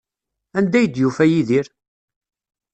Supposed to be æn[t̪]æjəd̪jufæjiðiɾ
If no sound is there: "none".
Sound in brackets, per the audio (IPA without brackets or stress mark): d̪